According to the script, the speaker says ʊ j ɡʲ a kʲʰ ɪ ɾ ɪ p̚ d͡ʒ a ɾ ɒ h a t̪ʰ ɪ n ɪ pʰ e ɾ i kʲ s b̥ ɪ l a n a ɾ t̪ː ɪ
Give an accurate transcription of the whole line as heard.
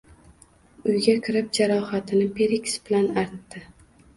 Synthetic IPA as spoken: ʊ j ɡʲ a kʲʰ ɪ ɾ ɪ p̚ d͡ʒ a ɾ ɒ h a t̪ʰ ɪ n ɪ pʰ e ɾ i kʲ s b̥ ɪ l a n a ɾ t̪ː ɪ

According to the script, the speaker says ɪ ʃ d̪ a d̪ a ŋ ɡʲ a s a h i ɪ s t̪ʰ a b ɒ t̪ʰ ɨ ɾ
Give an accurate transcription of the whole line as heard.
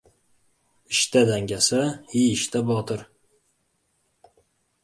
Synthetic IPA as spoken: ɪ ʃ t̪ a d̪ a ŋ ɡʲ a s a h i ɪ ʃ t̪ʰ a b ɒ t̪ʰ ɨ ɾ

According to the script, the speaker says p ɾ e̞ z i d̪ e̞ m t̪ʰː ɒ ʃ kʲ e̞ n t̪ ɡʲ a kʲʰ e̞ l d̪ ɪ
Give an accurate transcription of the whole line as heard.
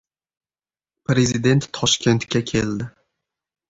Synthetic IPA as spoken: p ɾ e̞ z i d̪ e̞ n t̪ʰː ɒ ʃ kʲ e̞ n t̪ kʲ a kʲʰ e̞ l d̪ ɪ

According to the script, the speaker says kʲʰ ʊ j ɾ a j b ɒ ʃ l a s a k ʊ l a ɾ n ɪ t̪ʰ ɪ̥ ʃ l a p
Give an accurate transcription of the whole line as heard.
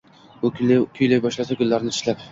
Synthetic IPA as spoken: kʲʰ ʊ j l a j b ɒ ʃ l a s a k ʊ lː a ɾ n ɪ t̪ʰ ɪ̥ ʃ l a p

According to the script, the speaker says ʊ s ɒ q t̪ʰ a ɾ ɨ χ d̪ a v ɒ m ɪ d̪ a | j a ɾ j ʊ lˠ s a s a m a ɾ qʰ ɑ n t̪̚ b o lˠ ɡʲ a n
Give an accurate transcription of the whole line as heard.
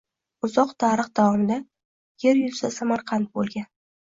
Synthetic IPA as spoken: ʊ z ɒ q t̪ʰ a ɾ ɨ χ d̪ a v ɒ m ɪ d̪ a | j e ɾ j ʊ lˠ s a s a m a ɾ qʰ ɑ n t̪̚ b o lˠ ɡʲ a n

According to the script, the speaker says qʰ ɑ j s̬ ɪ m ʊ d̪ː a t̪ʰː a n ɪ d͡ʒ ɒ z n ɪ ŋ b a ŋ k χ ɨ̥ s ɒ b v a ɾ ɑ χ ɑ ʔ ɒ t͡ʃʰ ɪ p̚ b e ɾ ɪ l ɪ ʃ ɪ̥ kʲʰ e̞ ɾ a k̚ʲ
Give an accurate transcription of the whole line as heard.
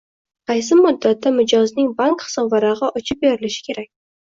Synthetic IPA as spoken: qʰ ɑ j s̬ ɪ m ʊ d̪ː a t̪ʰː a m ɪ d͡ʒ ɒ z n ɪ ŋ b a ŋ k χ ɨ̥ s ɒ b v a ɾ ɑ ʁ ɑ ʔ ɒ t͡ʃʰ ɪ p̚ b e ɾ ɪ l ɪ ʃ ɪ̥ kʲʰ e̞ ɾ a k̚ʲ

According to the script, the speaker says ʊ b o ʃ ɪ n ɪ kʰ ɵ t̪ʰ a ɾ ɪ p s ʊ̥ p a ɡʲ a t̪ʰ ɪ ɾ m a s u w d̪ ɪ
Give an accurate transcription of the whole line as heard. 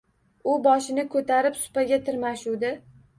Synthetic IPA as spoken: ʊ b ɒ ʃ ɪ n ɪ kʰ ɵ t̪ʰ a ɾ ɪ p s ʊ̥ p a ɡʲ a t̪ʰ ɪ ɾ m a ʃ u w d̪ ɪ

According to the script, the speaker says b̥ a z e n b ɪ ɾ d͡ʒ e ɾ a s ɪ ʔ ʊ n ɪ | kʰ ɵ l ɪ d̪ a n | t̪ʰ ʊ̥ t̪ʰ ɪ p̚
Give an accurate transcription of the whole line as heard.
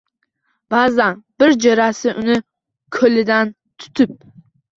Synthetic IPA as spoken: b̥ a z a n b ɪ ɾ d͡ʒ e ɾ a s ɪ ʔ ʊ n ɪ | kʰ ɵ l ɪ d̪ a n | t̪ʰ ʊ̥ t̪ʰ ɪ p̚

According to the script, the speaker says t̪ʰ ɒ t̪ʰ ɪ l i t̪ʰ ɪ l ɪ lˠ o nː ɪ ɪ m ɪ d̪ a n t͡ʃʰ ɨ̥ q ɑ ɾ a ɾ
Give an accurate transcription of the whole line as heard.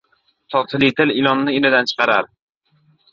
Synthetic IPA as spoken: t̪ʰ ɒ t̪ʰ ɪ l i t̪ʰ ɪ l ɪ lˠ ɒ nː ɪ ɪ n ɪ d̪ a n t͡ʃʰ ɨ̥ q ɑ ɾ a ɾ

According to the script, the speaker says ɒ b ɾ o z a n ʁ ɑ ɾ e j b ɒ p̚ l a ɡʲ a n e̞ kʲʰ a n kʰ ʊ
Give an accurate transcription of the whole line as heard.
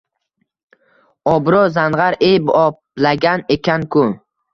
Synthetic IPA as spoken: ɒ b ɾ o z a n ʁ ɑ ɾ e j b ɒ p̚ l a ɡʲ a n e̞ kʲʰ a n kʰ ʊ

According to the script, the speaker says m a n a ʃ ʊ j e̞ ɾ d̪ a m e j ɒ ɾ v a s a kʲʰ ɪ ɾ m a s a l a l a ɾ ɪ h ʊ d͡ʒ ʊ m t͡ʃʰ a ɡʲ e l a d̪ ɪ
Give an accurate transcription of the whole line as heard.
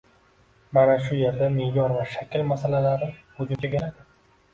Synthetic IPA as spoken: m a n a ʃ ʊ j e̞ ɾ d̪ a m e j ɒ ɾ v a ʃ a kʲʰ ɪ l m a s a l a l a ɾ ɪ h ʊ d͡ʒ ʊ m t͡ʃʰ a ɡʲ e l a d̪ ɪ

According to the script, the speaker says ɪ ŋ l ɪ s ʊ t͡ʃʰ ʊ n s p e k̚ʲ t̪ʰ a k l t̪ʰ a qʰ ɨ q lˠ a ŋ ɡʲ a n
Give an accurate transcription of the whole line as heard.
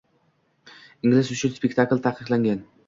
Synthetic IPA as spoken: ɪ ŋ l ɪ s ʊ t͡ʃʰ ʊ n s p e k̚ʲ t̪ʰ a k l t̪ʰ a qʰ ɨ q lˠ a ŋ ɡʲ a n

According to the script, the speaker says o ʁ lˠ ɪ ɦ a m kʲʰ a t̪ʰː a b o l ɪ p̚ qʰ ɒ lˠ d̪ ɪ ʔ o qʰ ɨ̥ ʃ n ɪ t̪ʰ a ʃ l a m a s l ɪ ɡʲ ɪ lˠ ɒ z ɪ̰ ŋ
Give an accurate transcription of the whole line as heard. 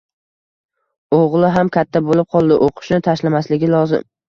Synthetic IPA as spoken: o ʁ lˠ ɪ ɦ a m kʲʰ a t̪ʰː a b o l ɪ p̚ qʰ ɒ lˠ d̪ ɪ ʔ o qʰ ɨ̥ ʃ n ɪ t̪ʰ a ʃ l a m a s l ɪ ɡʲ ɪ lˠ ɒ z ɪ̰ m

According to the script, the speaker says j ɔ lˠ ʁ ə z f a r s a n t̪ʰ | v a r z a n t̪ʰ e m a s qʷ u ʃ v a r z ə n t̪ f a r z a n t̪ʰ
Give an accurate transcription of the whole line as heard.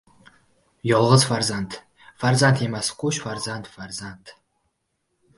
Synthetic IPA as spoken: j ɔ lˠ ʁ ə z f a r z a n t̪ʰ | f a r z a n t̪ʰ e m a s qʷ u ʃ f a r z a n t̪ f a r z a n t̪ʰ

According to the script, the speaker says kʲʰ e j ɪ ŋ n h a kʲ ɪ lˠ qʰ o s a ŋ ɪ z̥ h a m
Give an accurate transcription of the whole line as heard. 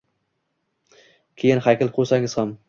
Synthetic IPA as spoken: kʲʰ e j ɪ n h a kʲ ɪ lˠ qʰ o s a ŋ ɪ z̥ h a m

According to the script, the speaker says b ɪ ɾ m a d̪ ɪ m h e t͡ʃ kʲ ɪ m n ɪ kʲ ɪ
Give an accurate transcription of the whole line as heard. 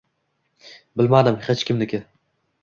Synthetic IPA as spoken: b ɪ l m a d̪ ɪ m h e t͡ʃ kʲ ɪ m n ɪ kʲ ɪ

